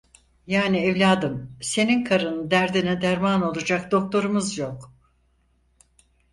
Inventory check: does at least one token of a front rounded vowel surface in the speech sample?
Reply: no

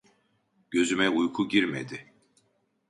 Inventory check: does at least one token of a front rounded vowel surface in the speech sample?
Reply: yes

